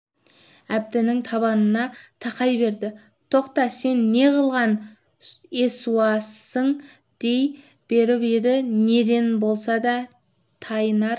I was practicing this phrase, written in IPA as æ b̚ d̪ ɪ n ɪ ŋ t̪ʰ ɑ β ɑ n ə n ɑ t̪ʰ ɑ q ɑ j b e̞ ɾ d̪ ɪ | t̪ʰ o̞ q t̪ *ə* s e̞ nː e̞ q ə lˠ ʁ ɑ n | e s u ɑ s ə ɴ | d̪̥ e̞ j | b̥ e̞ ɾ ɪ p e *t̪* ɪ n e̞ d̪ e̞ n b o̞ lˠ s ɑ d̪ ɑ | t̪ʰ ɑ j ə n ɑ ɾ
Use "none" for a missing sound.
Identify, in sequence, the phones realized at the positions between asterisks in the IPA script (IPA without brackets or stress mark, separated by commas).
ɑ, d̪